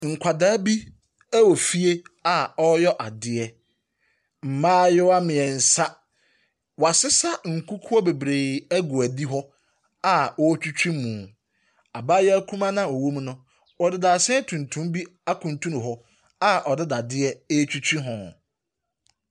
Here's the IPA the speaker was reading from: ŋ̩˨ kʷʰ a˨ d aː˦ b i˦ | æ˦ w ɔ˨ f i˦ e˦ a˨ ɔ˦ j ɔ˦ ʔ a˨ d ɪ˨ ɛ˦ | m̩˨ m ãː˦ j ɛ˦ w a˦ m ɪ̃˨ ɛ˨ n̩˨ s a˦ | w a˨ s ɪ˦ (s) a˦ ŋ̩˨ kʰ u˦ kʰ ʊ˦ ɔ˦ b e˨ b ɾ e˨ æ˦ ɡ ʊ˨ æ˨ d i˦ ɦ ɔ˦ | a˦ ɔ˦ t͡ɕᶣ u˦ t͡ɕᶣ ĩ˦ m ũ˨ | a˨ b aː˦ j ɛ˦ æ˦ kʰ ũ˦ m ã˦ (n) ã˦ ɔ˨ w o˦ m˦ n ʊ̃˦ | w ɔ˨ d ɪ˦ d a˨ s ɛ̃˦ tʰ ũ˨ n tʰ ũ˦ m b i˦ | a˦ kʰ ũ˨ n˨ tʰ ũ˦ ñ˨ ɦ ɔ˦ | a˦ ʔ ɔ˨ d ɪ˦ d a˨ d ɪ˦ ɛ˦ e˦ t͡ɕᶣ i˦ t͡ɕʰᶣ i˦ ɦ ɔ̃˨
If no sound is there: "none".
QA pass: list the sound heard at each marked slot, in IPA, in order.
s, n

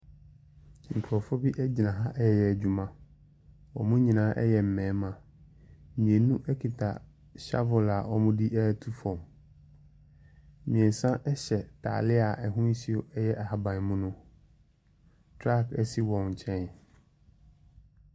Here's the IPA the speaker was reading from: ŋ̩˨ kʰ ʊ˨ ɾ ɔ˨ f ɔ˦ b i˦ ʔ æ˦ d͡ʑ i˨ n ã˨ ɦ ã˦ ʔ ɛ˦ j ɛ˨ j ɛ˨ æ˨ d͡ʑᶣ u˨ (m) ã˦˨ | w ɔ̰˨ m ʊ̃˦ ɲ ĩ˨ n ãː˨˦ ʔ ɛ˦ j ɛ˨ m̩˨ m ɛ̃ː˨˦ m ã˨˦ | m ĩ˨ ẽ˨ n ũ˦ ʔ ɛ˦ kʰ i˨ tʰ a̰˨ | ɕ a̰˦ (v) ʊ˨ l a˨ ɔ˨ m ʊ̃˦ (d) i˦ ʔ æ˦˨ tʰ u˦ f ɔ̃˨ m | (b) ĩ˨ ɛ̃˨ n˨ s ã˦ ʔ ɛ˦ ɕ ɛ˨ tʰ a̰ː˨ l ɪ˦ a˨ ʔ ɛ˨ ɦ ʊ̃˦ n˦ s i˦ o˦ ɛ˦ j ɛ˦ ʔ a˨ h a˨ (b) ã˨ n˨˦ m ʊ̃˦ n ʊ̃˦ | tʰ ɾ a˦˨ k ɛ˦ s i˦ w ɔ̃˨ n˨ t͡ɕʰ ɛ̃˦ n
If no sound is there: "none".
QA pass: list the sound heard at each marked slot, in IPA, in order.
m, v, d, m, b

